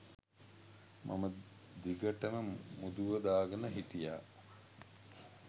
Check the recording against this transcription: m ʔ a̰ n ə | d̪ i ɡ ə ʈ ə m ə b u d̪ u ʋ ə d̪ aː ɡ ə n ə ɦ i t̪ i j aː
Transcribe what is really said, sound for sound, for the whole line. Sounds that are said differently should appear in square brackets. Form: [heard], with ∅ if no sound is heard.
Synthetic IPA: m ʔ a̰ [m] ə | d̪ i ɡ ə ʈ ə m ə [m] u d̪ u ʋ ə d̪ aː ɡ ə n ə ɦ i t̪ i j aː